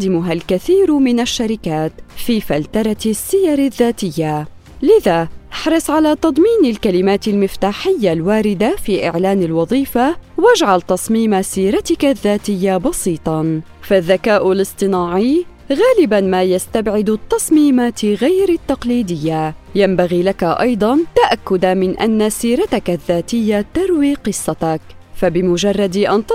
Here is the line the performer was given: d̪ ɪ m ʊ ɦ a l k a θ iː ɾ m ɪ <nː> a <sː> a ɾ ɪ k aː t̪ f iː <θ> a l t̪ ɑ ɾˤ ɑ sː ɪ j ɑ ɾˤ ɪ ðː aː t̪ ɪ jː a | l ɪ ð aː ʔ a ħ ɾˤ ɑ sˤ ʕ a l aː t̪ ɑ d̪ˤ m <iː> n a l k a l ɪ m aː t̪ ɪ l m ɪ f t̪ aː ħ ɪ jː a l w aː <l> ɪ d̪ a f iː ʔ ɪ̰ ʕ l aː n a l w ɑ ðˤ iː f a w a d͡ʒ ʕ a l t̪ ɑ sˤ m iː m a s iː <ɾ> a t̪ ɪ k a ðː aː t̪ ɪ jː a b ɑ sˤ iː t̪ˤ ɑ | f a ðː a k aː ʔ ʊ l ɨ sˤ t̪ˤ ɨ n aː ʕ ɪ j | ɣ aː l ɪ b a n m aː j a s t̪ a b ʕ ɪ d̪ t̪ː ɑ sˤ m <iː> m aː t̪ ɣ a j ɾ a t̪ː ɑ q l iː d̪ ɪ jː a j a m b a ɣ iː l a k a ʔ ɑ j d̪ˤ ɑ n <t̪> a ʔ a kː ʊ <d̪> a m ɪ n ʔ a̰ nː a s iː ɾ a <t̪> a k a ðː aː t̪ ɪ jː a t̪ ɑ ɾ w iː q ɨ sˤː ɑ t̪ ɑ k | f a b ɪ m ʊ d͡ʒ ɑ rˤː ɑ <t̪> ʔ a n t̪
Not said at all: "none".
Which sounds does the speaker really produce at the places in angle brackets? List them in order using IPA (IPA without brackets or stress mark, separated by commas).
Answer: n, ʃː, f, iː, ɾ, ɾ, iː, t̪, d̪, t̪, d̪